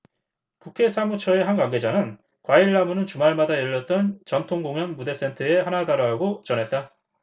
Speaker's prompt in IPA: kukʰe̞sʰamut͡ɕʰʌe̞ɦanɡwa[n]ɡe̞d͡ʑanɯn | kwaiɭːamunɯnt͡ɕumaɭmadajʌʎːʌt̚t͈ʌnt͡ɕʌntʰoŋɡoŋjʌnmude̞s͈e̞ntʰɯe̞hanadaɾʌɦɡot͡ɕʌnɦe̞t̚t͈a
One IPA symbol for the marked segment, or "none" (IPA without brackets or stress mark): ŋ